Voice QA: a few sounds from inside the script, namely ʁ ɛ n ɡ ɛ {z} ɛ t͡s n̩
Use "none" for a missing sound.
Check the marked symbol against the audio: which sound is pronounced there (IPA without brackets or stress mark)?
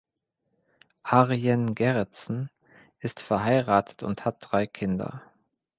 ʁ